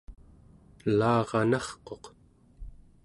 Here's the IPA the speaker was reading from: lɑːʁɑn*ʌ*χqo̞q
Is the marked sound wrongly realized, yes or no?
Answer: yes